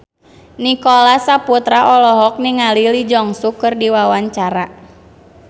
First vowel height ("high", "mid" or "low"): high